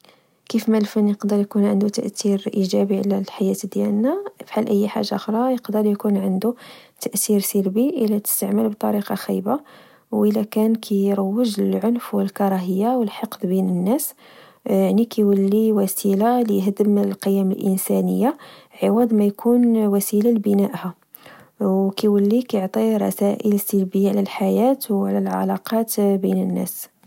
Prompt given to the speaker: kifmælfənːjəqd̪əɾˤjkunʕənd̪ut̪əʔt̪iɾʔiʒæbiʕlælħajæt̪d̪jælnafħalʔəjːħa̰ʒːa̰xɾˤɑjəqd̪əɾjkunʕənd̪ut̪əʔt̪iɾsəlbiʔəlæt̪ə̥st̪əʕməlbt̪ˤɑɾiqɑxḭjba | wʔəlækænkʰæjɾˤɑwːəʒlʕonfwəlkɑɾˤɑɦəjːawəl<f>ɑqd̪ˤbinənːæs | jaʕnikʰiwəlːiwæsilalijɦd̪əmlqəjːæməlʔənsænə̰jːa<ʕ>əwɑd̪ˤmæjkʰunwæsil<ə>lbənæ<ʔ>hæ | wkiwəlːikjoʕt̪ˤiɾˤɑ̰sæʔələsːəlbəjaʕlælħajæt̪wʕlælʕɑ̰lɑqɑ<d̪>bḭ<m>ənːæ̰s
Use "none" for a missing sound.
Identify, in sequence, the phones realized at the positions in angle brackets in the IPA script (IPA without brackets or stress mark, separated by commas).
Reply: ħ, ʕ, a, ʔ, t̪, n